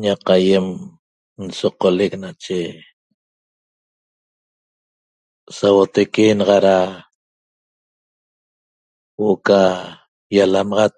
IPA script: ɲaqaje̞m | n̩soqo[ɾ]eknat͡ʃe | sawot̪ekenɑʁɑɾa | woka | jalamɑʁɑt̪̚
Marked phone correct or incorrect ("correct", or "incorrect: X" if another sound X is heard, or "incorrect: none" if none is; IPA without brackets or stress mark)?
incorrect: l